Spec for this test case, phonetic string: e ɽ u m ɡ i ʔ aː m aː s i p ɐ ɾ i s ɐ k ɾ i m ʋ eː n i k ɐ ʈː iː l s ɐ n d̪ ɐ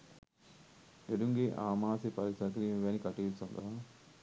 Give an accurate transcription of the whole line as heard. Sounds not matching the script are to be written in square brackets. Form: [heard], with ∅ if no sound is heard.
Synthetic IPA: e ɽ u [ŋ] ɡ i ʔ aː m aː s i p ɐ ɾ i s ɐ k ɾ i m ʋ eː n i k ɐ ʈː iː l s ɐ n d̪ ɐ